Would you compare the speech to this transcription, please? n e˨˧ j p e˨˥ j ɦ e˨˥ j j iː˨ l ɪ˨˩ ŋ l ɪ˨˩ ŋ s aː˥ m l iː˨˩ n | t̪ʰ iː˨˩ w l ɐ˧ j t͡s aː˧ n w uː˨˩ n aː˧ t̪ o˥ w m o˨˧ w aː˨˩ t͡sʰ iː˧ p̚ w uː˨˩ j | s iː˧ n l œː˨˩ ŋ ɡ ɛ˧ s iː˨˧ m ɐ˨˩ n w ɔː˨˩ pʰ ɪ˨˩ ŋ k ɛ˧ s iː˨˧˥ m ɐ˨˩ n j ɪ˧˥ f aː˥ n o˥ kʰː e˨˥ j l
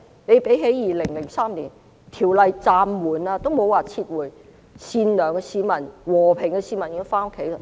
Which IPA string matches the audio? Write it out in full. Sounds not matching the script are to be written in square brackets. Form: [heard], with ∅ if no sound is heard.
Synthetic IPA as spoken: n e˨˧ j p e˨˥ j ɦ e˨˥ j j iː˨ l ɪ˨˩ ŋ l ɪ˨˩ ŋ s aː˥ m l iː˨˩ n | t̪ʰ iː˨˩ w l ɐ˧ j t͡s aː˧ [m] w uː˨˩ n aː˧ t̪ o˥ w m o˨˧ w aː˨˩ t͡sʰ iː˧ [t̚] w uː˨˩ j | s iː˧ n l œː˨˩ ŋ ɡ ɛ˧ s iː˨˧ m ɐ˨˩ n w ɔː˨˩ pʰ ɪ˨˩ ŋ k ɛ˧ s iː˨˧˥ m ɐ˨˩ n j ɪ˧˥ f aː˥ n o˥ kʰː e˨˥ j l